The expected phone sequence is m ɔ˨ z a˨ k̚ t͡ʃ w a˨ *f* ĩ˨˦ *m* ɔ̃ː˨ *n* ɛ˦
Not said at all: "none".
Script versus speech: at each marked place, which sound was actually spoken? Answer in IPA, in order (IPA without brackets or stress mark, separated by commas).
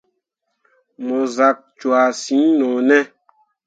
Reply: s, n, n